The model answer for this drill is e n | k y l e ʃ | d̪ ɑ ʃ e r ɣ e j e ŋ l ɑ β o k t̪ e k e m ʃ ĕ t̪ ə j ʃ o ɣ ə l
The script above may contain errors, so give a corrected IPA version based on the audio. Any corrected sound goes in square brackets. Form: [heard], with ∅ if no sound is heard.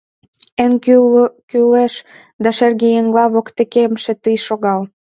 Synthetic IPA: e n | k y l e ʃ | d̪ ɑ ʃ e r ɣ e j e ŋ l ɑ β o k t̪ e k e m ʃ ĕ t̪ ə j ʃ o ɣ [ɑ] l